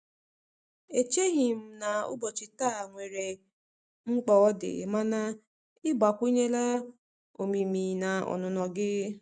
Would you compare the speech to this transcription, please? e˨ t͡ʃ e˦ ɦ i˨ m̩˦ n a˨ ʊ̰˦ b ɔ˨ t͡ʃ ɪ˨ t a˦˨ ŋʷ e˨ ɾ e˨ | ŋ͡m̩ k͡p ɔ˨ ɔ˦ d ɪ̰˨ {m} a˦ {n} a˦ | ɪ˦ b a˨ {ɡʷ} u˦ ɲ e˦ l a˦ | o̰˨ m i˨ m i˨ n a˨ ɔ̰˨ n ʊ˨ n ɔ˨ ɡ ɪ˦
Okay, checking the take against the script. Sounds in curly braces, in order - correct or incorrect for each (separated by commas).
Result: correct, correct, incorrect